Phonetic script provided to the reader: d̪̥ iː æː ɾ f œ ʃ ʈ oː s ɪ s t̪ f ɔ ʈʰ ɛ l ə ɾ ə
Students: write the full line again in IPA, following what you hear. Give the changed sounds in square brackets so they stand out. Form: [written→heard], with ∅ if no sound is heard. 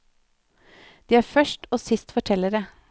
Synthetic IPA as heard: d̪̥ iː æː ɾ f œ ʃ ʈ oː s ɪ s t̪ f ɔ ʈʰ ɛ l ə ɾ ə

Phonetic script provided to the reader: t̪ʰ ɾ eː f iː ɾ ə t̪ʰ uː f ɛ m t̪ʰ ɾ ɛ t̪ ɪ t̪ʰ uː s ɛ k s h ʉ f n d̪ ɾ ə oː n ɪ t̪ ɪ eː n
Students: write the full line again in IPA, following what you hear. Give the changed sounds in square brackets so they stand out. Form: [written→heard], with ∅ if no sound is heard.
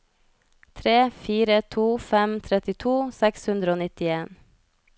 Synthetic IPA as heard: t̪ʰ ɾ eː f iː ɾ ə t̪ʰ uː f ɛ m t̪ʰ ɾ ɛ t̪ ɪ t̪ʰ uː s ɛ k s h ʉ [f→∅] n d̪ ɾ ə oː n ɪ t̪ ɪ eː n

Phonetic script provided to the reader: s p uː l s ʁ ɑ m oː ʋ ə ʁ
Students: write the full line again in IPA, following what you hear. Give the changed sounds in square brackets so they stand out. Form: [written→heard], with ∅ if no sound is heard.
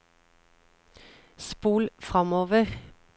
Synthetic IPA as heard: s p uː l [s→f] ʁ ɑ m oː ʋ ə ʁ

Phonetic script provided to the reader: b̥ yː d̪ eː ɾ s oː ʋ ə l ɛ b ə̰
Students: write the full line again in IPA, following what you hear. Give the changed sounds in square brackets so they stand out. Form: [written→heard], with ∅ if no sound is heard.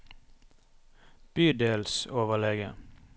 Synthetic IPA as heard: b̥ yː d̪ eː [ɾ→l] s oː ʋ ə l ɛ [b→ɡ] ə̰

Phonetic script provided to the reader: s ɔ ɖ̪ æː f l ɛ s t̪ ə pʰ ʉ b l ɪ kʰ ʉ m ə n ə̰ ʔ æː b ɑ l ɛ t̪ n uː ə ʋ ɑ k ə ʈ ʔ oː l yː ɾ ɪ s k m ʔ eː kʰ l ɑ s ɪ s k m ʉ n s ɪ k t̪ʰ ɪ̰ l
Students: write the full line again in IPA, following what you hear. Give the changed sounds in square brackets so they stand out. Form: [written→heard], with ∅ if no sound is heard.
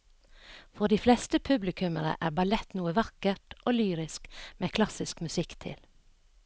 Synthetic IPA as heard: [s→f] ɔ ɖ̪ [æː→iː] f l ɛ s t̪ ə pʰ ʉ b l ɪ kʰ ʉ m ə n ə̰ ʔ æː b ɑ l ɛ t̪ n uː ə ʋ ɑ k ə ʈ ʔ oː l yː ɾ ɪ s k m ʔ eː kʰ l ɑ s ɪ s k m ʉ [n→∅] s ɪ k t̪ʰ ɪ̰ l

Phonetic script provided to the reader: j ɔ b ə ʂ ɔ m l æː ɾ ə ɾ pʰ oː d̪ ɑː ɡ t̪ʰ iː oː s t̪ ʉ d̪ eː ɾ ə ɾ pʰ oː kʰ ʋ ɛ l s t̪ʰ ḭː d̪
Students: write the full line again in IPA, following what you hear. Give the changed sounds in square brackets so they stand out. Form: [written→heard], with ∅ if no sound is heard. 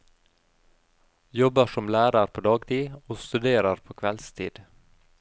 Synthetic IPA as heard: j ɔ b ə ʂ ɔ m l æː ɾ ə ɾ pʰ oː d̪ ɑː ɡ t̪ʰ iː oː s t̪ ʉ d̪ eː ɾ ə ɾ pʰ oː kʰ ʋ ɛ l s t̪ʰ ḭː d̪

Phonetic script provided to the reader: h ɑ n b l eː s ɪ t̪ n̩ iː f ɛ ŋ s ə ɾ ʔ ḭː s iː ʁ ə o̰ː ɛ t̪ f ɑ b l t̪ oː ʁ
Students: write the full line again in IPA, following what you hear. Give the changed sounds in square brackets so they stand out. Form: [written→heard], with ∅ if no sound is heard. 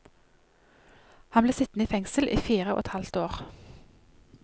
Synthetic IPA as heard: h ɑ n b l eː s ɪ t̪ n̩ iː f ɛ ŋ s ə [ɾ→l] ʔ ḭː [s→f] iː ʁ ə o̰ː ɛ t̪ [f→h] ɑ [b→∅] l t̪ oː ʁ

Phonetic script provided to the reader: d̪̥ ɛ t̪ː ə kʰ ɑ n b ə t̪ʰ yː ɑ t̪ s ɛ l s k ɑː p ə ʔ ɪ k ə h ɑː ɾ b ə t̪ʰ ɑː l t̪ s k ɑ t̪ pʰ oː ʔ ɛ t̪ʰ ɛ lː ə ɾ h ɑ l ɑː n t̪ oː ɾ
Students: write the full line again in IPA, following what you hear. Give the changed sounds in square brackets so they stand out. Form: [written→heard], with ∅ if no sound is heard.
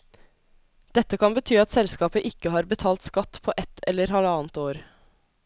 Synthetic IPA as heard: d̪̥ ɛ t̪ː ə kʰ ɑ n b ə t̪ʰ yː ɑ t̪ s ɛ l s k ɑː p ə ʔ ɪ k ə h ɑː ɾ b ə t̪ʰ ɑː l t̪ s k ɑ t̪ pʰ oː ʔ ɛ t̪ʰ ɛ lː ə ɾ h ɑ l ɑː n t̪ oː ɾ

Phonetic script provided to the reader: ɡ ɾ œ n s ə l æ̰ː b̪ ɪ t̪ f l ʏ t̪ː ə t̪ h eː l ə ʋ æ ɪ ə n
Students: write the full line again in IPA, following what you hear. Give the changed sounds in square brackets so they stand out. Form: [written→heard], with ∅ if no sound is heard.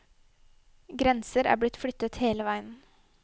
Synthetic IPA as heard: ɡ ɾ [œ→ɛ] n s ə [l→ɾ] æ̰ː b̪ ɪ t̪ f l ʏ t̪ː ə t̪ h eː l ə ʋ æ ɪ ə n

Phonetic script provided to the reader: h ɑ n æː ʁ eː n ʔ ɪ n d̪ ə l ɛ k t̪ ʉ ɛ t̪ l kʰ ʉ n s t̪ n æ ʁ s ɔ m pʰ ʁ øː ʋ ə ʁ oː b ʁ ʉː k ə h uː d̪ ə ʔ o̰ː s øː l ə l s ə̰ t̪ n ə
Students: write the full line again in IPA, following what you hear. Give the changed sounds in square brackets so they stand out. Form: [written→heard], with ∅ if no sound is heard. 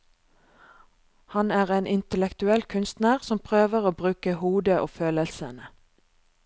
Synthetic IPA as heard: h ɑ n æː ʁ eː n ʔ ɪ n [d̪→t̪] ə l ɛ k t̪ ʉ ɛ [t̪→∅] l kʰ ʉ n s t̪ n æ ʁ s ɔ m pʰ ʁ øː ʋ ə ʁ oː b ʁ ʉː k ə h uː d̪ ə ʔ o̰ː [s→f] øː l ə l s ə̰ [t̪→∅] n ə

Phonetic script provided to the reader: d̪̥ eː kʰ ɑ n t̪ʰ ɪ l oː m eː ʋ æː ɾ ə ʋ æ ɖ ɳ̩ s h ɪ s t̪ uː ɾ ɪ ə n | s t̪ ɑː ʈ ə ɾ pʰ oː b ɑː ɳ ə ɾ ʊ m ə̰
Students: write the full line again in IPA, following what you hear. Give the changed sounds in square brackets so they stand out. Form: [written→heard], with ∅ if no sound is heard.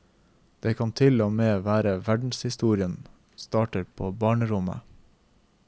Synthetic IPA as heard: d̪̥ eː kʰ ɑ n t̪ʰ ɪ l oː m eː ʋ æː ɾ ə ʋ æ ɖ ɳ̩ s h ɪ s t̪ uː ɾ ɪ ə n | s t̪ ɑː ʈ ə ɾ pʰ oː b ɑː ɳ ə ɾ ʊ m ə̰

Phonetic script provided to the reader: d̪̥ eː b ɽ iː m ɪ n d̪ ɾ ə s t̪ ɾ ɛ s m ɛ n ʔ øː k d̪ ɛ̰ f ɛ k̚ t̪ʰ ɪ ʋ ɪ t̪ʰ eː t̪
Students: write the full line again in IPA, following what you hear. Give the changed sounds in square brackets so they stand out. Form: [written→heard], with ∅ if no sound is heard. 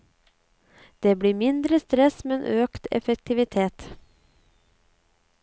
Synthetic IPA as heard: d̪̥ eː b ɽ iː m ɪ n d̪ ɾ ə s t̪ ɾ ɛ s m ɛ n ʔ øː k [d̪→t̪] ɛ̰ f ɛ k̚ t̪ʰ ɪ ʋ ɪ t̪ʰ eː t̪

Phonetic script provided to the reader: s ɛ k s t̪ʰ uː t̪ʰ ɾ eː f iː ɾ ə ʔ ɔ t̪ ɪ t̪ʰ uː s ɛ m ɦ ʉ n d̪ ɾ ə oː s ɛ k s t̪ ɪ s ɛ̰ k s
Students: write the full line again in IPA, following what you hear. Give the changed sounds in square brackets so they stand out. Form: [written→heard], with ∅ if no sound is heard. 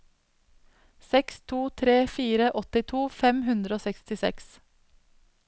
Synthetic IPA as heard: s ɛ k s t̪ʰ uː t̪ʰ ɾ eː f iː ɾ ə ʔ ɔ t̪ ɪ t̪ʰ uː [s→f] ɛ m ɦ ʉ n d̪ ɾ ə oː s ɛ k s t̪ ɪ s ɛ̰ k s

